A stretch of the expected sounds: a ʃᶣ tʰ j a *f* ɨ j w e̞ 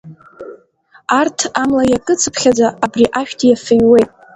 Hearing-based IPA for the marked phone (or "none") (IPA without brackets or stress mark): f